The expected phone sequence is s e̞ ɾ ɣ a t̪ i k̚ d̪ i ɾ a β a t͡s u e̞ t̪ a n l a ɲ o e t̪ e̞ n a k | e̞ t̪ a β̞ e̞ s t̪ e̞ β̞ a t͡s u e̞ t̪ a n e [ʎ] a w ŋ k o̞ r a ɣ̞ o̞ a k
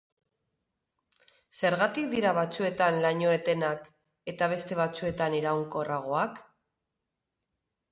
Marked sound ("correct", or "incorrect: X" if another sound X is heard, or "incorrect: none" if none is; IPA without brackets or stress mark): incorrect: ɾ